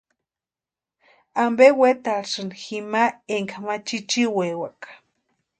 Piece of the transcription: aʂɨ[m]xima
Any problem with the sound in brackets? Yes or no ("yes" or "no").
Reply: yes